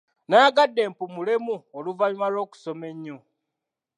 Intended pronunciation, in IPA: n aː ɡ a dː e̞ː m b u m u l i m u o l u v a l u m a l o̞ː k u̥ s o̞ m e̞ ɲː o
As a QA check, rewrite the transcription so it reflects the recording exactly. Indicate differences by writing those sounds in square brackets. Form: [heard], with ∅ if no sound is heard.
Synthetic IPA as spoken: n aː ɡ a dː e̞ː m [p] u m u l [e] m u o l u v a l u m a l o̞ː k u̥ s o̞ m e̞ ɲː o